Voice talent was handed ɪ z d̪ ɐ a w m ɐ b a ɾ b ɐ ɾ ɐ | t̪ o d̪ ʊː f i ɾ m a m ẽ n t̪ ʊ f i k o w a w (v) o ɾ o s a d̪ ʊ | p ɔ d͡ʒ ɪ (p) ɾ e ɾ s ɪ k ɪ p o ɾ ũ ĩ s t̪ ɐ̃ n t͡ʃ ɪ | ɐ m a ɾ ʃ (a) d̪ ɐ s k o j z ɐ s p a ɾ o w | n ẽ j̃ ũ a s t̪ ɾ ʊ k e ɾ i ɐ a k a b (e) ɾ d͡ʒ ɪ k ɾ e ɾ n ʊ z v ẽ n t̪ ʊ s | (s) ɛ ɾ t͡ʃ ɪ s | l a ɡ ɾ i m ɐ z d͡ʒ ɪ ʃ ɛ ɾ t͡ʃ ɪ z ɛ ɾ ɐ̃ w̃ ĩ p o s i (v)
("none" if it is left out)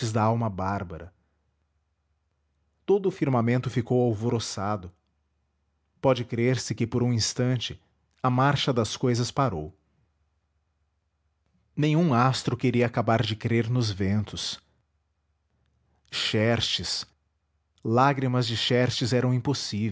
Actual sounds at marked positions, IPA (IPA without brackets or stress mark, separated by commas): v, k, ɐ, a, ʃ, v